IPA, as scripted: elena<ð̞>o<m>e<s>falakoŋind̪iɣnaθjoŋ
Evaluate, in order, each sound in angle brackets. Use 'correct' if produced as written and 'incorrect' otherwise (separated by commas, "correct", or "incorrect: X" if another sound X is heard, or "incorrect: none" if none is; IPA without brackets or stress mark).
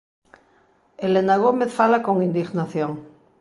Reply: incorrect: ɣ̞, correct, incorrect: θ